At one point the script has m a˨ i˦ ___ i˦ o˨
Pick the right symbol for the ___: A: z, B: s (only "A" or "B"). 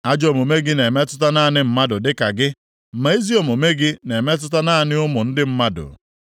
A